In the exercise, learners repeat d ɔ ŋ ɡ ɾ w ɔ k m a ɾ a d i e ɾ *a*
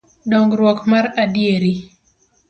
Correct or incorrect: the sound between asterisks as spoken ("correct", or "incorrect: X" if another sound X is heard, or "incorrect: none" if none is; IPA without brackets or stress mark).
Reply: incorrect: i